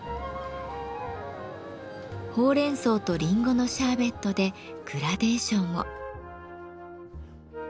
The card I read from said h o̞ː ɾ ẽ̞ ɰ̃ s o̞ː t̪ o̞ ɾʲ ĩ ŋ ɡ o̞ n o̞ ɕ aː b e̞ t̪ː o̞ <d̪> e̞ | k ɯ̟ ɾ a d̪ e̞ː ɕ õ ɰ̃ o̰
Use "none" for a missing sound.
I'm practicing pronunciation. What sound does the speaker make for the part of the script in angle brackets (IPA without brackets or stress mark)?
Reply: d̪